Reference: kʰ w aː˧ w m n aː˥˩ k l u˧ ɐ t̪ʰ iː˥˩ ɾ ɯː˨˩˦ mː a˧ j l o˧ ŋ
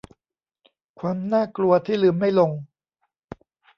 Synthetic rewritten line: kʰ w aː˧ m n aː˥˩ k l u˧ ɐ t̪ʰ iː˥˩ l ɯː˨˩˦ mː a˥˩ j l o˧ ŋ